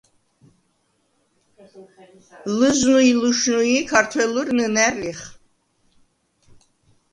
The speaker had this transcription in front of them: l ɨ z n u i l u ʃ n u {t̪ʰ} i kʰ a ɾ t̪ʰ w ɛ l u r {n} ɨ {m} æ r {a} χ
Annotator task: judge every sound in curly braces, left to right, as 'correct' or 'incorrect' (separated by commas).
incorrect, correct, incorrect, incorrect